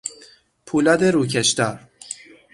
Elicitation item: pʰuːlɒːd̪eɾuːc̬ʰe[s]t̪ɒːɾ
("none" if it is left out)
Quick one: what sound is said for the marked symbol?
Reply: ʃ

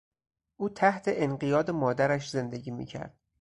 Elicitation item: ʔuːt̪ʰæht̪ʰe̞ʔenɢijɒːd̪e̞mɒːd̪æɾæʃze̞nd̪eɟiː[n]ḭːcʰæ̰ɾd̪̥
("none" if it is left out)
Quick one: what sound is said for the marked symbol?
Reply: m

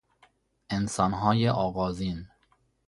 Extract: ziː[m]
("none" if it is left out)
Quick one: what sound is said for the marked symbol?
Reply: n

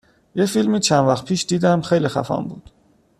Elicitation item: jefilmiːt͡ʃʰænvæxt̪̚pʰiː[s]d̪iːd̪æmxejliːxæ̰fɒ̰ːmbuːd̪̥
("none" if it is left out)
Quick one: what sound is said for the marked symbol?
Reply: ʃ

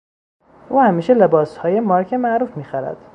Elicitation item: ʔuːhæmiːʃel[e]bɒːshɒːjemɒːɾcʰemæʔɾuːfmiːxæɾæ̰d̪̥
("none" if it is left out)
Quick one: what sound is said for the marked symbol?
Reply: e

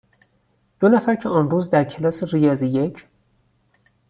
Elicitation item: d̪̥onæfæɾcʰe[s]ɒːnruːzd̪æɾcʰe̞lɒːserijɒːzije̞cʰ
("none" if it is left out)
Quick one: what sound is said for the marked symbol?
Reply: none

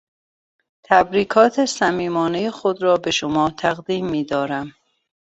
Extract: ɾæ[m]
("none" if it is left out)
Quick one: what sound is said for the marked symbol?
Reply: m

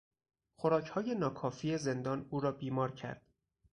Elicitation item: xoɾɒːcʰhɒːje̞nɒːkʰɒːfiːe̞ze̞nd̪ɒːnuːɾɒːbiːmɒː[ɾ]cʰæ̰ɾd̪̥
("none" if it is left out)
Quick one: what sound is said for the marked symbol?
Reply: ɾ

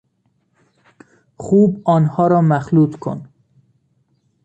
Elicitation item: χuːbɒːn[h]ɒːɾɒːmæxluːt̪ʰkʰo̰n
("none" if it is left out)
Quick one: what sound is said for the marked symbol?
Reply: h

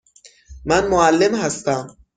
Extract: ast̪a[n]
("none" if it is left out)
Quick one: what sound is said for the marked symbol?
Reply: m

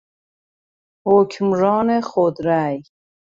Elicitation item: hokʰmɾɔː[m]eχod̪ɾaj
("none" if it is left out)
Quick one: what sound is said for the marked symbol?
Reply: n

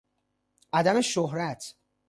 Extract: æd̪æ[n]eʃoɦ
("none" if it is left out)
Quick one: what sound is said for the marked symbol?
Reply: m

